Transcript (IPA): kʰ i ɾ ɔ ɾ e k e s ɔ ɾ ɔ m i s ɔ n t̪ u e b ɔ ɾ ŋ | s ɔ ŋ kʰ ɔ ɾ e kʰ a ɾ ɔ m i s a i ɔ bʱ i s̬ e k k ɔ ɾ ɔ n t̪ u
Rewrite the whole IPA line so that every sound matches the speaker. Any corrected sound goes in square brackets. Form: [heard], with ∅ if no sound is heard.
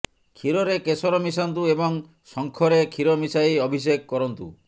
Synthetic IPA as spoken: kʰ i ɾ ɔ ɾ e k e s ɔ ɾ ɔ m i s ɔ n t̪ u e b ɔ [∅] ŋ | s ɔ ŋ kʰ ɔ ɾ e kʰ [i] ɾ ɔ m i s a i ɔ bʱ i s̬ e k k ɔ ɾ ɔ n t̪ u